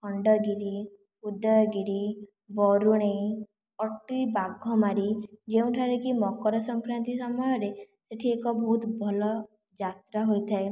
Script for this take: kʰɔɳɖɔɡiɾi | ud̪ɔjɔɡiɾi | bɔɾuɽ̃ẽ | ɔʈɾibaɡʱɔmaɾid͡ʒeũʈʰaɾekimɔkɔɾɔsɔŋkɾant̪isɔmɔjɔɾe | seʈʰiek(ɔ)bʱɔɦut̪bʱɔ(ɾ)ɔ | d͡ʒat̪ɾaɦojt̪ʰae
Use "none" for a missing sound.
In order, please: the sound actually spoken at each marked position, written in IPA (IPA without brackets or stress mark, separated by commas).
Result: ɔ, l